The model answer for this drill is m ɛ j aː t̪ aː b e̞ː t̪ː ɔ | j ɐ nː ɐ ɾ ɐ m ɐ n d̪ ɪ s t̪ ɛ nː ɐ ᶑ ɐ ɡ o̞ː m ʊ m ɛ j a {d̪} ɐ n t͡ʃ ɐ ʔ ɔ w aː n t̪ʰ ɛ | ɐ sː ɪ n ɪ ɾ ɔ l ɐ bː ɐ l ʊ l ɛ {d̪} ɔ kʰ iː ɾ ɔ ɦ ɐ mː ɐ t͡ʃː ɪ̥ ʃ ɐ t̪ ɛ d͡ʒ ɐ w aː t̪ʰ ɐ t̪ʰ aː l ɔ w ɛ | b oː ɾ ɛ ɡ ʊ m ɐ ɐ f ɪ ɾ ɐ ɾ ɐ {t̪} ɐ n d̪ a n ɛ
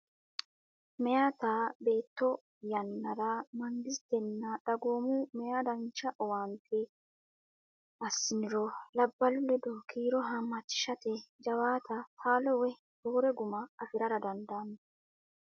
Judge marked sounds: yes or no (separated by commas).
yes, yes, no